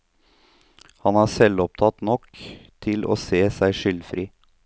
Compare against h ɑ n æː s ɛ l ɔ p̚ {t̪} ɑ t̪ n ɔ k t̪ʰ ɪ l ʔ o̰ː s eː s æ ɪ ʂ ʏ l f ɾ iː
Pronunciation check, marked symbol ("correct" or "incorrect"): incorrect